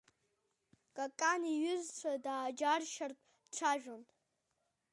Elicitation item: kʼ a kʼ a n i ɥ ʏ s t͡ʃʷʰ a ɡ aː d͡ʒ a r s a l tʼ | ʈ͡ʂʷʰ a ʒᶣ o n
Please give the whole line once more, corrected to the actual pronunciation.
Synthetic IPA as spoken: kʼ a kʼ a n i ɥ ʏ z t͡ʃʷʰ a d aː d͡ʒ a r ʃ a r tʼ | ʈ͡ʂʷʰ a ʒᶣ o n